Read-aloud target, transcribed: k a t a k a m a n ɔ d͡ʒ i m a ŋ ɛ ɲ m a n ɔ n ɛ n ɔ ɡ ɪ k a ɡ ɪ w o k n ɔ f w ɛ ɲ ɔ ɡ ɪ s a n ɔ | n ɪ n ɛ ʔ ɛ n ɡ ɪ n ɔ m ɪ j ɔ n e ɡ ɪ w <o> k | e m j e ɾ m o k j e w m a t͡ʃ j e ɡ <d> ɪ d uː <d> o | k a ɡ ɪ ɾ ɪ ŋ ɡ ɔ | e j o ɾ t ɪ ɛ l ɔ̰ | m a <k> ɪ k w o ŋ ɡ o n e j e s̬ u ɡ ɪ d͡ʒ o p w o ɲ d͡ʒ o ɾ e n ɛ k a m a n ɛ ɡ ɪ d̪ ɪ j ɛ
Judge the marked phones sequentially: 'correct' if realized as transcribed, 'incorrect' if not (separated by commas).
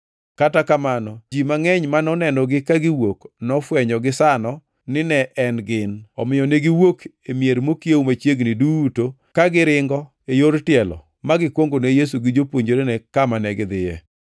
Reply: correct, incorrect, incorrect, incorrect